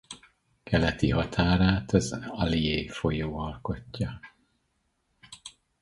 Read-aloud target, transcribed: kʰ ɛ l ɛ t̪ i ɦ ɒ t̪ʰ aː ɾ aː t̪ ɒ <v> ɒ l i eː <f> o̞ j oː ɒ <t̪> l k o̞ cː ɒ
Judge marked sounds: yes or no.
no, yes, no

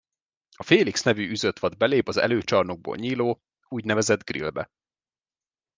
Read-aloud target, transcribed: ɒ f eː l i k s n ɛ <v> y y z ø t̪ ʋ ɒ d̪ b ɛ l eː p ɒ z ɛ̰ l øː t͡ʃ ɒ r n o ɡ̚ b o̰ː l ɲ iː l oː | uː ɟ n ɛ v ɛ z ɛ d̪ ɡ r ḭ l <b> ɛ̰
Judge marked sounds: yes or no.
yes, yes

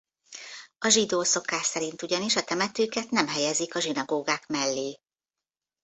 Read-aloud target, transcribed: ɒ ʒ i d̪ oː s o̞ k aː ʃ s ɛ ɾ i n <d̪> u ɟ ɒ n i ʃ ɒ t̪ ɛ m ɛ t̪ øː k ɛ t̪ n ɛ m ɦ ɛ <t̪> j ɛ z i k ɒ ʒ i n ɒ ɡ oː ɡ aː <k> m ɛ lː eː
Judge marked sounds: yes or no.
no, no, yes

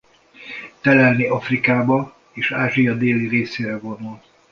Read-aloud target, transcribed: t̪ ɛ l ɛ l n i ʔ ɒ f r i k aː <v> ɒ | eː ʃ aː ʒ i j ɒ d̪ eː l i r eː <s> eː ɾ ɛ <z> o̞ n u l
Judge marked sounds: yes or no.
no, yes, no

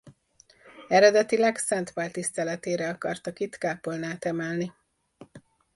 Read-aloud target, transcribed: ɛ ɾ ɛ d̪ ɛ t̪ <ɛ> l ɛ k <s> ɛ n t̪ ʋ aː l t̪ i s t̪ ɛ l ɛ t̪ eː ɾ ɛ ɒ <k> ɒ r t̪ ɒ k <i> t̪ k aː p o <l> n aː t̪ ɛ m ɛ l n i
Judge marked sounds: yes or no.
no, yes, yes, yes, yes

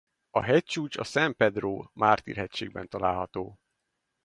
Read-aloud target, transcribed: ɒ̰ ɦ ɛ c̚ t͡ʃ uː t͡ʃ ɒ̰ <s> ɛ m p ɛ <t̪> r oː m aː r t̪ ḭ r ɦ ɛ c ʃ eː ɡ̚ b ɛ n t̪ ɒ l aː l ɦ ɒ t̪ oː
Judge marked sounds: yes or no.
yes, no

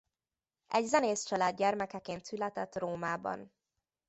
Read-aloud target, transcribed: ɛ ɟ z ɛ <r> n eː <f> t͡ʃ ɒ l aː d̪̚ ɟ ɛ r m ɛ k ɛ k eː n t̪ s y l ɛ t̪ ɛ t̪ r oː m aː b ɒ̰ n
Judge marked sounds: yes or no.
no, no

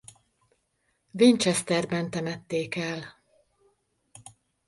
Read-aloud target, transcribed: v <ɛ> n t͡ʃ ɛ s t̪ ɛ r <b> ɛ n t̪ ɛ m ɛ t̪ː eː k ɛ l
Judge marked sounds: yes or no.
no, yes

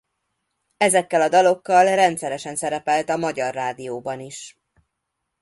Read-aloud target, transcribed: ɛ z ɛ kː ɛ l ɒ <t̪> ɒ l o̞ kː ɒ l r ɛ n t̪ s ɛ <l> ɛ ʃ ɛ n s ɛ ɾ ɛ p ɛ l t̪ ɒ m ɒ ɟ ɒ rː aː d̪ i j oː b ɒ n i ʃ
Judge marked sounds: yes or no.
no, no

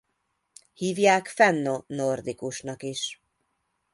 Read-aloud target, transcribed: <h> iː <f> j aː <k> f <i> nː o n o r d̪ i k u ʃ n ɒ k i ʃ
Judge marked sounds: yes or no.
yes, no, yes, no

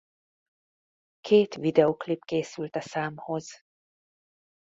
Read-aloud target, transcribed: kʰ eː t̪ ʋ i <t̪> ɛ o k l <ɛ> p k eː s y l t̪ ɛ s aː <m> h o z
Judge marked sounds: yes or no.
no, no, yes

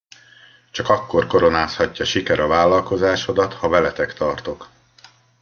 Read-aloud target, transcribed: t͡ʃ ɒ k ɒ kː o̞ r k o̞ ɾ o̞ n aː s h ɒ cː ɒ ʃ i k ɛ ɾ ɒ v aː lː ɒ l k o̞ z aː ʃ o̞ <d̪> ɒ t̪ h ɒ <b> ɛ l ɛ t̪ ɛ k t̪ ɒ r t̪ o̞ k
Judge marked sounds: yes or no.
yes, no

